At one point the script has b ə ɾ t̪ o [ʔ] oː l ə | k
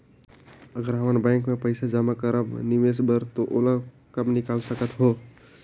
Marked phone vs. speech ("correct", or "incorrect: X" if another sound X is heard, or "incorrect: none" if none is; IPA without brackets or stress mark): correct